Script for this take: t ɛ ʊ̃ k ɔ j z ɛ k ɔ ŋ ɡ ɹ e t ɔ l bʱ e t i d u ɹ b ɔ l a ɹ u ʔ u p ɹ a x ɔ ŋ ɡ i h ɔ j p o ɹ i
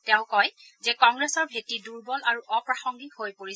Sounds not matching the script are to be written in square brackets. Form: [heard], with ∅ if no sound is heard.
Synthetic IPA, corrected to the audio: t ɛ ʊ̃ k ɔ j z ɛ k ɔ ŋ ɡ ɹ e [s] ɔ [ɹ] bʱ e t i d u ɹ b ɔ l a ɹ u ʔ [ɔ] p ɹ a x ɔ ŋ ɡ i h [o] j p o ɹ i

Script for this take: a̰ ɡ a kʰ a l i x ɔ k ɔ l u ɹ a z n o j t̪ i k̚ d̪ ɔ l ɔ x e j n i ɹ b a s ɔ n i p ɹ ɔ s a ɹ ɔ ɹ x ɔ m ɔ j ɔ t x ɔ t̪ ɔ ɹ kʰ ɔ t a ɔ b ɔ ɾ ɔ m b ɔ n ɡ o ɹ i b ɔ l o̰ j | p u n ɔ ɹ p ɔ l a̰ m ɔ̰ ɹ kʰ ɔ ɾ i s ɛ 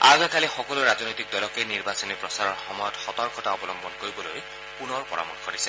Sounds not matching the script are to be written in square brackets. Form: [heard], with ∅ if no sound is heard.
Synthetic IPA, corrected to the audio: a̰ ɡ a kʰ a l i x ɔ k ɔ l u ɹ a z n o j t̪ i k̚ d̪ ɔ l ɔ [k] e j n i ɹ b a s ɔ n i p ɹ ɔ s a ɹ ɔ ɹ x ɔ m ɔ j ɔ t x ɔ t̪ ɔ ɹ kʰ ɔ t a ɔ b ɔ [l] ɔ m b ɔ n [k] o ɹ i b ɔ l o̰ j | p u n ɔ ɹ p ɔ [ɹ] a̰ m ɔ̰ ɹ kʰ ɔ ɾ i s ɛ

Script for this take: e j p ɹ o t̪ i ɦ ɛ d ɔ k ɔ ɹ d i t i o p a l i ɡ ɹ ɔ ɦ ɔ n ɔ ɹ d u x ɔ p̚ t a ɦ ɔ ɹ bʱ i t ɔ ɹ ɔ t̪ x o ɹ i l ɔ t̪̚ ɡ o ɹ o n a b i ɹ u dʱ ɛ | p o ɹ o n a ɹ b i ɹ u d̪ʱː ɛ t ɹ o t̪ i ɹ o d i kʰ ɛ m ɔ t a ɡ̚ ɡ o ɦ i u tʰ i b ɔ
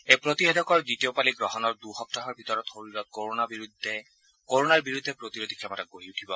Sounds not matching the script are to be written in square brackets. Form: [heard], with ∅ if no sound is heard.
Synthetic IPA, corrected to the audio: e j p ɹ o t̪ i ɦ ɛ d ɔ k ɔ ɹ d i t i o p a l i ɡ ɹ ɔ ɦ ɔ n ɔ ɹ d u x ɔ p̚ t a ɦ ɔ ɹ bʱ i t ɔ ɹ ɔ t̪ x o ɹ i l ɔ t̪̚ [k] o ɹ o n a b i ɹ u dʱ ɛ | [k] o ɹ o n a ɹ b i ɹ u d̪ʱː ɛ [p] ɹ o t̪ i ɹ o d i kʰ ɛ m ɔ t a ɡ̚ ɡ o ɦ i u tʰ i b ɔ

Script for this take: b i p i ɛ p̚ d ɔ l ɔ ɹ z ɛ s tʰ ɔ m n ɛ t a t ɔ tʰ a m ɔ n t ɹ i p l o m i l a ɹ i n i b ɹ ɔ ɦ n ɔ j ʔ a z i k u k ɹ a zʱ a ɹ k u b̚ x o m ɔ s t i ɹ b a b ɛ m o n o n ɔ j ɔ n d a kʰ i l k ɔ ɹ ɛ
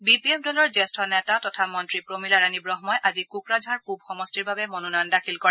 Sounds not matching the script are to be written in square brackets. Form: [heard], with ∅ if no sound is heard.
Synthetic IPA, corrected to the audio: b i p i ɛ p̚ d ɔ l ɔ ɹ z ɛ s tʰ ɔ [∅] n ɛ t a t ɔ tʰ a m ɔ n t ɹ i p [ɹ] o m i l a ɹ [a] n i b ɹ ɔ ɦ [m] ɔ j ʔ a z i k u k ɹ a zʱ a ɹ k u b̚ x [ɔ] m ɔ s t i ɹ b a b ɛ m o n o n ɔ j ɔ n d a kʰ i l k ɔ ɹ ɛ

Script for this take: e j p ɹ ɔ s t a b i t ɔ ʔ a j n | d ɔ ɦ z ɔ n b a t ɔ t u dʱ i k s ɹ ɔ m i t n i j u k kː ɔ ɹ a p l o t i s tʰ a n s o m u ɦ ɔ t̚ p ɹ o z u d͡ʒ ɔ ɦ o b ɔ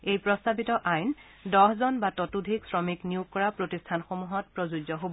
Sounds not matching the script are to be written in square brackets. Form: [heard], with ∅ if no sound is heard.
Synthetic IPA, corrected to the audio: e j p ɹ ɔ s t a b i t ɔ ʔ a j n | d ɔ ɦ z ɔ n b a t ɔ t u dʱ i k s ɹ ɔ m i [k] n i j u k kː ɔ ɹ a p [ɹ] o t i s tʰ a n [x] o m u ɦ ɔ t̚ p ɹ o z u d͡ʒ ɔ ɦ o b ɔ

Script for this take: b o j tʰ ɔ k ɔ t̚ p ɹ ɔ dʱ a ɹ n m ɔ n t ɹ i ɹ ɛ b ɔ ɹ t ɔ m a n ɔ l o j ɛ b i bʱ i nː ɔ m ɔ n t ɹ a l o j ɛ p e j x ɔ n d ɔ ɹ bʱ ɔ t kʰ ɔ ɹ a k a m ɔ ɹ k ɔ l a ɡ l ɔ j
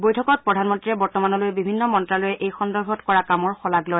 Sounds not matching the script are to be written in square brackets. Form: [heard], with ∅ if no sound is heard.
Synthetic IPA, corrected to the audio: b o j tʰ ɔ k ɔ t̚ p ɹ ɔ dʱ a [∅] n m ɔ n t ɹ i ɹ ɛ b ɔ ɹ t ɔ m a n ɔ l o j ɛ b i bʱ i nː ɔ m ɔ n t ɹ a l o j ɛ [ʔ] e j x ɔ n d ɔ ɹ bʱ ɔ t [k] ɔ ɹ a k a m ɔ ɹ [x] ɔ l a ɡ l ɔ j

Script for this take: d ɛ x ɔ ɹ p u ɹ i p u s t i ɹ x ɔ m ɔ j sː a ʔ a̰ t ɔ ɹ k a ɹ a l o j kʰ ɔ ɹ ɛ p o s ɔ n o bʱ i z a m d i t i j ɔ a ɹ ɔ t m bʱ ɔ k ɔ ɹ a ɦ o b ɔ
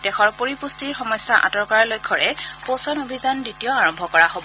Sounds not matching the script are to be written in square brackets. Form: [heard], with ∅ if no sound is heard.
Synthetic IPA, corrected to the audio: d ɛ x ɔ ɹ p [o] ɹ i p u s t i ɹ x ɔ m ɔ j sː a ʔ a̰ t ɔ ɹ k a ɹ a l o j kʰ ɔ ɹ ɛ p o s ɔ n o bʱ i z a [n] d i t i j ɔ a ɹ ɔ [∅] m bʱ ɔ k ɔ ɹ a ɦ o b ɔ

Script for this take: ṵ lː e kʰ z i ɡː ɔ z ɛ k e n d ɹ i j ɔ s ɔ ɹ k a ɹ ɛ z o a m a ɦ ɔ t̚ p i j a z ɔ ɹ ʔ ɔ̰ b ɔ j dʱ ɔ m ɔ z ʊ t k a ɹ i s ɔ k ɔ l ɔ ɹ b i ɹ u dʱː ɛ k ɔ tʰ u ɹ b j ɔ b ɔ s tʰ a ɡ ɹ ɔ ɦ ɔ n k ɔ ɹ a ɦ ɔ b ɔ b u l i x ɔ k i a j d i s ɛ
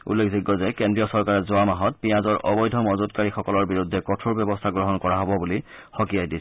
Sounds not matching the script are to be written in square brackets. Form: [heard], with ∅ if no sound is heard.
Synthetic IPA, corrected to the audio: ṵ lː e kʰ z i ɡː ɔ z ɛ k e n d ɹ i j ɔ s ɔ ɹ k a ɹ ɛ z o a m a ɦ ɔ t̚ p i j a z ɔ ɹ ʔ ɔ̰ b ɔ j dʱ ɔ m ɔ z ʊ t k a ɹ i [x] ɔ k ɔ l ɔ ɹ b i ɹ u dʱː ɛ k ɔ tʰ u ɹ b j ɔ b ɔ s tʰ a ɡ ɹ ɔ ɦ ɔ n k ɔ ɹ a ɦ ɔ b ɔ b u l i x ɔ k i a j d i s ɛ

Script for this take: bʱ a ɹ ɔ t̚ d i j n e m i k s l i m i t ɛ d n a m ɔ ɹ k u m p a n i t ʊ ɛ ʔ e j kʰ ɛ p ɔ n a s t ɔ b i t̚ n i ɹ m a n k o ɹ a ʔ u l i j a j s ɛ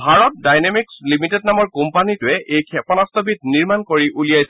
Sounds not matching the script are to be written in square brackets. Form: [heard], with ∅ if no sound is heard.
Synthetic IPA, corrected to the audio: bʱ a ɹ ɔ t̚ d [a] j n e m i k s l i m i t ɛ d n a m ɔ ɹ k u m p a n i t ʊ ɛ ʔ e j kʰ ɛ p ɔ n a s t ɔ b i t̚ n i ɹ m a n k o ɹ [i] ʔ u l i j a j s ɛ

